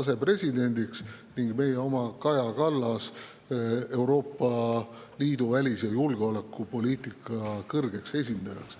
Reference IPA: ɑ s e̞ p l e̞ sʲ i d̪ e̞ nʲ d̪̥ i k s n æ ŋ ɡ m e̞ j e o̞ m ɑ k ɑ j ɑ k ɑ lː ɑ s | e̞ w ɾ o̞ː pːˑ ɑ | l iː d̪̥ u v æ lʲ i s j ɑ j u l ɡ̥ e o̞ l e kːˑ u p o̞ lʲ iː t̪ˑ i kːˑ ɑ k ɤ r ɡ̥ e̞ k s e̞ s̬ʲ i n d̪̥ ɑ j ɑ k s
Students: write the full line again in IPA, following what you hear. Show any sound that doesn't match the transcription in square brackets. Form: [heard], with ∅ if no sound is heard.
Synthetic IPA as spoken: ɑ s e̞ p [r] e̞ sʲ i d̪ e̞ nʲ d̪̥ i k s n [i] ŋ ɡ m e̞ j e o̞ m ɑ k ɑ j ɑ k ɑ lː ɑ s | e̞ w ɾ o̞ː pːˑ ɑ | l iː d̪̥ u v æ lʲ i s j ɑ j u l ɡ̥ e o̞ l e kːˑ u p o̞ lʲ iː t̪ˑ i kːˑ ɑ k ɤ r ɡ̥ e̞ k s e̞ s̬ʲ i n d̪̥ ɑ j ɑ k s